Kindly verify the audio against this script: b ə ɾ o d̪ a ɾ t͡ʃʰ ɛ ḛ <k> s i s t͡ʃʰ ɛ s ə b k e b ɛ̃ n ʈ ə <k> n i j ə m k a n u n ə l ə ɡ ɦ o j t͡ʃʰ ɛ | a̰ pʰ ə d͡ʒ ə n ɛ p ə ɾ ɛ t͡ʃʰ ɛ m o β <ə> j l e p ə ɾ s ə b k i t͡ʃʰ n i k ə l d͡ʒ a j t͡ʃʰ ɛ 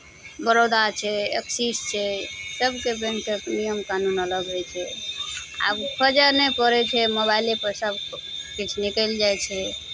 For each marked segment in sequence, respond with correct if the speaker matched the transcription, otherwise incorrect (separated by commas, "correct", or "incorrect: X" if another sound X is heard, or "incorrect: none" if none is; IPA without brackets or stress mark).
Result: correct, correct, incorrect: a